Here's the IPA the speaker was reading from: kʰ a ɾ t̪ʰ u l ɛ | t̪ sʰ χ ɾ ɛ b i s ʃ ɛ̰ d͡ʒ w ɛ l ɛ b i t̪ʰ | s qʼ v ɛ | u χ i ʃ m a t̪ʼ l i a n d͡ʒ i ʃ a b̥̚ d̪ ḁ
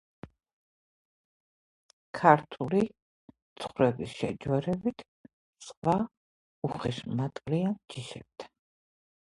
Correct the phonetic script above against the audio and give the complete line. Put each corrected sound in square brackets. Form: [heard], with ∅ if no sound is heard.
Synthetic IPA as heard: kʰ a ɾ t̪ʰ u l [i] | t̪ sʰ χ ɾ ɛ b i s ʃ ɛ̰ d͡ʒ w ɛ [ɾ] ɛ b i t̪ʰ | s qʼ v [a] | u χ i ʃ m a t̪ʼ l i a n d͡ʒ i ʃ [ɛ] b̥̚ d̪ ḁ